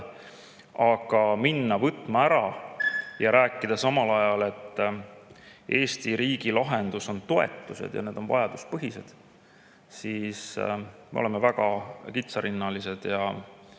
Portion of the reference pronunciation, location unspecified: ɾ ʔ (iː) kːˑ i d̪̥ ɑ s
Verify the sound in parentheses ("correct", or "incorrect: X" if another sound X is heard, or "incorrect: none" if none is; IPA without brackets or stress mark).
incorrect: æː